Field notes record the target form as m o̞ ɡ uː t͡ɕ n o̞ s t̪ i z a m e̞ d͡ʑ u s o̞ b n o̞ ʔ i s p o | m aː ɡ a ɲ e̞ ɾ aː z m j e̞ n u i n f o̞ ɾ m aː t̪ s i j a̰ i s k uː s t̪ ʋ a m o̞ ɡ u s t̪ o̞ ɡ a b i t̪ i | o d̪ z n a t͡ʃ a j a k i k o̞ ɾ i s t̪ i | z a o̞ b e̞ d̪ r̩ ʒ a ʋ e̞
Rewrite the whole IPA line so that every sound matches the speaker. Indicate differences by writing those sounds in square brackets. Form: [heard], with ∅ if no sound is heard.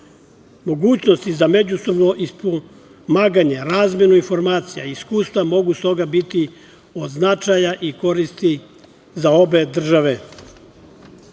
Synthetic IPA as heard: m o̞ ɡ uː t͡ɕ n o̞ s t̪ i z a m e̞ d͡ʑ u s o̞ b n o̞ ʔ i s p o | m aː ɡ a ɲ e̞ ɾ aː z m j e̞ n u i n f o̞ ɾ m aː t̪ s i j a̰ i s k uː s t̪ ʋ a m o̞ ɡ u s t̪ o̞ ɡ a b i t̪ i | o d̪ z n a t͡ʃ a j a [ʔ] i k o̞ ɾ i s t̪ i | z a o̞ b e̞ d̪ r̩ ʒ a ʋ e̞